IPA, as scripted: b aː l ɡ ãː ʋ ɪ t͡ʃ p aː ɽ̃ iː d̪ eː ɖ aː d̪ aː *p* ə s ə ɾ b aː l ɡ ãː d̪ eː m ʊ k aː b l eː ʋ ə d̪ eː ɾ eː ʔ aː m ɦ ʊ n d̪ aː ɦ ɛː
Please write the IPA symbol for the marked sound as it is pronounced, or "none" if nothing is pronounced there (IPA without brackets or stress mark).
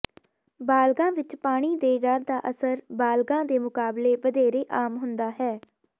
ʔ